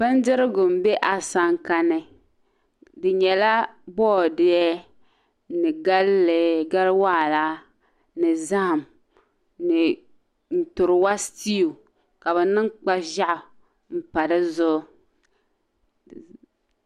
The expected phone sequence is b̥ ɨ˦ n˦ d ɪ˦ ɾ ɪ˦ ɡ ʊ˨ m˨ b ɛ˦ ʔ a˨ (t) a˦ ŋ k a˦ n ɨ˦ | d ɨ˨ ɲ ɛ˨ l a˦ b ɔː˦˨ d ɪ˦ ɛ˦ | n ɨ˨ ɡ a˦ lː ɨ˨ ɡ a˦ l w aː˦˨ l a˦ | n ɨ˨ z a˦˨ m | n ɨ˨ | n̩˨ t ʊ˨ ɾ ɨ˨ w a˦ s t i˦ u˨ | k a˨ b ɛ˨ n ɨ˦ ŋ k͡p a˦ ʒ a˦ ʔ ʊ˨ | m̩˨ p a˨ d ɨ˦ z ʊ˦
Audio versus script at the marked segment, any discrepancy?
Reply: yes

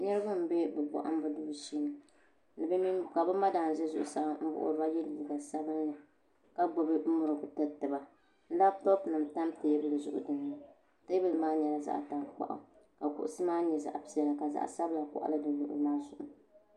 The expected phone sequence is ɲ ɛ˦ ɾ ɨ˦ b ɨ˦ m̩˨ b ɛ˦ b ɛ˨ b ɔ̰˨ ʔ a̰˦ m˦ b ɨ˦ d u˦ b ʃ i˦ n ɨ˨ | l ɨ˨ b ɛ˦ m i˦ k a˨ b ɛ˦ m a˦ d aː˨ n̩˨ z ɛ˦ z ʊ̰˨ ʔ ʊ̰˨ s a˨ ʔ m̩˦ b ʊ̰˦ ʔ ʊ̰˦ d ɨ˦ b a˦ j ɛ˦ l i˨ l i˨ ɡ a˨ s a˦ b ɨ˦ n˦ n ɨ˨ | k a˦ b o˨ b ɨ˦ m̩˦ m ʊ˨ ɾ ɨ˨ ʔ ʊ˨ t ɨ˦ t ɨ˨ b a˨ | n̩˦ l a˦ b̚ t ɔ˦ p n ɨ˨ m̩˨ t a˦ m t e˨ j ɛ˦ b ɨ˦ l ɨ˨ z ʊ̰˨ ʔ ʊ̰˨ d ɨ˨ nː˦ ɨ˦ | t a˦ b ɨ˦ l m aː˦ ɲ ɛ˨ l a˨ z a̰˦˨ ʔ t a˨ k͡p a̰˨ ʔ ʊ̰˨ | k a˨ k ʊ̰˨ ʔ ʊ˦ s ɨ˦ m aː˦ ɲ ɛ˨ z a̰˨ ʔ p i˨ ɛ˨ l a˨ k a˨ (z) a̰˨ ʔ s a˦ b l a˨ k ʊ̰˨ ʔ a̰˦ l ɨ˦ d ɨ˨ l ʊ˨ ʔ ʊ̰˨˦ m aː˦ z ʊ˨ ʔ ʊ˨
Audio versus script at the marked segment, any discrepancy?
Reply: no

